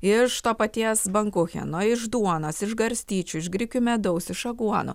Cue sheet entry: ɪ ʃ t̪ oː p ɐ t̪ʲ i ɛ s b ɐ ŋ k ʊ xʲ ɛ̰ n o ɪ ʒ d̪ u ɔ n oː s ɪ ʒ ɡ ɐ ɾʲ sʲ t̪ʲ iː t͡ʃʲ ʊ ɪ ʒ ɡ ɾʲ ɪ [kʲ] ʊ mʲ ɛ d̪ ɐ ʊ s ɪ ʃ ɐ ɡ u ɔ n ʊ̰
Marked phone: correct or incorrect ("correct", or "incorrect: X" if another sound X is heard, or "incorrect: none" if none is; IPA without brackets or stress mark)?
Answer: correct